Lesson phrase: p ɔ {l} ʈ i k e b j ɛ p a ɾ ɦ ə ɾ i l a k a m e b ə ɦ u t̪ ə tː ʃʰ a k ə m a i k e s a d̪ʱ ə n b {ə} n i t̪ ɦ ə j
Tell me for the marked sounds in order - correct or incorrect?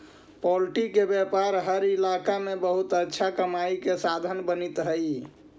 correct, correct

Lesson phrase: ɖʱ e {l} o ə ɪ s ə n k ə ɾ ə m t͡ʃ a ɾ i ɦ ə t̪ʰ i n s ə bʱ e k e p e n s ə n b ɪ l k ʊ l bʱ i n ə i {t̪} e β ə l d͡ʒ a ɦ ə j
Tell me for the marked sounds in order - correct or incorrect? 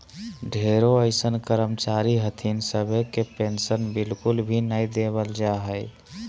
incorrect: ɾ, incorrect: d̪

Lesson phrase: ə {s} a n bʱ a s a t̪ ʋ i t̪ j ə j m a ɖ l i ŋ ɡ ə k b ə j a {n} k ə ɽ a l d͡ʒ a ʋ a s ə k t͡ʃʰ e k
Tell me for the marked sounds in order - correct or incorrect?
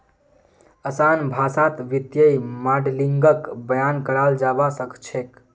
correct, correct

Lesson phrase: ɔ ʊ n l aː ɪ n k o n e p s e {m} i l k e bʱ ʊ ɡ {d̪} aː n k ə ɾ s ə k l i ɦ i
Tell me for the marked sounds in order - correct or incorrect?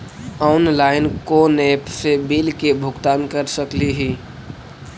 incorrect: b, incorrect: t̪

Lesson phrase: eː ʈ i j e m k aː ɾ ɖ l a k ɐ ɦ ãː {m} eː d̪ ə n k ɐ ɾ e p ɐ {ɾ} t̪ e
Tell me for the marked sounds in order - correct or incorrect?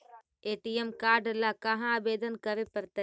incorrect: b, correct

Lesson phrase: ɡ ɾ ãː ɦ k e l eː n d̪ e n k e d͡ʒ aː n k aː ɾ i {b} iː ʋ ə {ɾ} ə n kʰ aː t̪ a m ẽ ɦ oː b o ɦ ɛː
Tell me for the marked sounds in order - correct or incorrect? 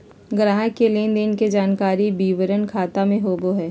correct, correct

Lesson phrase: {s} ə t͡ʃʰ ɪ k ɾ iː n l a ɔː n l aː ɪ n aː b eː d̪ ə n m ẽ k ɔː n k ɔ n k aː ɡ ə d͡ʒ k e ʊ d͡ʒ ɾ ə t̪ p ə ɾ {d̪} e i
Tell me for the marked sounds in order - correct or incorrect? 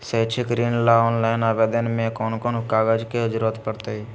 correct, incorrect: t̪

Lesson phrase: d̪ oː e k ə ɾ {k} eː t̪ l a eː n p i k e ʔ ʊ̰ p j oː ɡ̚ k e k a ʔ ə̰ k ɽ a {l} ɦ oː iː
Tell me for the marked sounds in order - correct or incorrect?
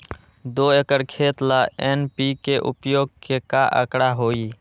incorrect: kʰ, incorrect: none

